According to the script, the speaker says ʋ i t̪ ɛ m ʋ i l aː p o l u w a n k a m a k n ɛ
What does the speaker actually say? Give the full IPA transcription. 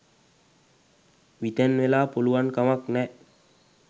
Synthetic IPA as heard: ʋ i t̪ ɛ n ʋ e l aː p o l u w a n k a m a k n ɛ